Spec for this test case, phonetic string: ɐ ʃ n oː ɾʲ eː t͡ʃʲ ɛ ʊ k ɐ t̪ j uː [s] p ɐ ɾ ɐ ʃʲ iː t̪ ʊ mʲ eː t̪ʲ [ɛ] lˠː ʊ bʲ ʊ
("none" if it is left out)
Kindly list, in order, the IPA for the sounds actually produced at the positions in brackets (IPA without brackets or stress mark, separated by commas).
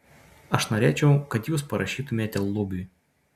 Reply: s, ɛ